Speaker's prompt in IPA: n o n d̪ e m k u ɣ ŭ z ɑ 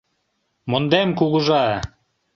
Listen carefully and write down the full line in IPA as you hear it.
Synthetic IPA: m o n d̪ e m k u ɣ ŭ ʒ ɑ

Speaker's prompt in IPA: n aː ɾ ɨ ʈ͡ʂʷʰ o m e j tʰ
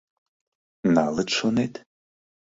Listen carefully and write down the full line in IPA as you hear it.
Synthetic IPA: n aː l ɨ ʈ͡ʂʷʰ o n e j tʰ

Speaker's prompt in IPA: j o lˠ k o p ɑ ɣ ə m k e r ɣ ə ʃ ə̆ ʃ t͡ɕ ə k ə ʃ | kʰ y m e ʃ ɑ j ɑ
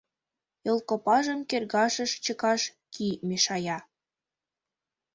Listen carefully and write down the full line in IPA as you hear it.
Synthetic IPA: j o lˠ k o p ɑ ʒ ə m k e r ɣ ɑ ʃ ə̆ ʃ t͡ɕ ə k ɑ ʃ | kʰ i m e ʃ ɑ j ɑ

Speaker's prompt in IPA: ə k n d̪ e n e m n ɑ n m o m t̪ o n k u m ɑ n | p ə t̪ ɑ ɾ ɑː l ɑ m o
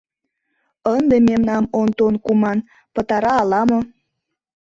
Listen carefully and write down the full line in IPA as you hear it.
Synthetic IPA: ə n d̪ e m e m n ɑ m o n t̪ o n k u m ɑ n | p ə t̪ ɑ ɾ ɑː l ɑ m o

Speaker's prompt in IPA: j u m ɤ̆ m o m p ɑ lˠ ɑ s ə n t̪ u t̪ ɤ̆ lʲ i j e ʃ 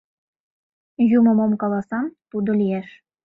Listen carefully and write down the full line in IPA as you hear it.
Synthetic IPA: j u m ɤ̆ m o m k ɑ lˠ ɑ s ɑ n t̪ u d̪ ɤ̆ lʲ i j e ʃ

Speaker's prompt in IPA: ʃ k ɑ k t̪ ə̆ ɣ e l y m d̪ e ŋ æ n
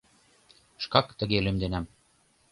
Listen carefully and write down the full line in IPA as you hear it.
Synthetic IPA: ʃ k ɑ k t̪ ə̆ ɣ e l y m d̪ e n æ m

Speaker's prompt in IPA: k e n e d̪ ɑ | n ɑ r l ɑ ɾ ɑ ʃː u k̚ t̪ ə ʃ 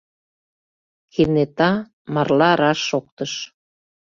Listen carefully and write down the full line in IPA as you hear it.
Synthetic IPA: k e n e t̪ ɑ | m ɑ r l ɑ ɾ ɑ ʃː o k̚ t̪ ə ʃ

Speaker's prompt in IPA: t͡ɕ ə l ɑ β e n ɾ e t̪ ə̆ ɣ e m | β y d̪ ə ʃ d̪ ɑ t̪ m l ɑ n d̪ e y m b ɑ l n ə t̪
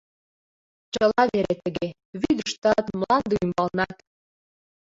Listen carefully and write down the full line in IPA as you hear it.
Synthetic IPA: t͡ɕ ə l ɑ β e ɾ e t̪ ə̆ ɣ e | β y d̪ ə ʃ t̪ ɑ t̪ m l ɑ n d̪ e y m b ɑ l n ɑ t̪

